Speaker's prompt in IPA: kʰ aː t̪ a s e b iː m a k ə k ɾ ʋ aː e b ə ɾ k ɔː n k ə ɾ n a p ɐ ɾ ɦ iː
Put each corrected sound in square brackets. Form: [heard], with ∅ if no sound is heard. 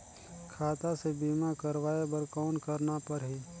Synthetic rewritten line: kʰ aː t̪ a s e b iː m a k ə [∅] ɾ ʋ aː e b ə ɾ k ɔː n k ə ɾ n a p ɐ ɾ ɦ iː